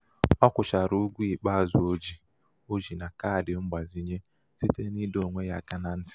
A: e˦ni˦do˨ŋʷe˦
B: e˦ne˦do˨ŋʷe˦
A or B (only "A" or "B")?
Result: A